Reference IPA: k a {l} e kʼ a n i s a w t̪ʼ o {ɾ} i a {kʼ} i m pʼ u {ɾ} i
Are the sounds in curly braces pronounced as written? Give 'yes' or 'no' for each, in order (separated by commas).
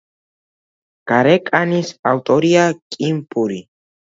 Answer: no, yes, yes, yes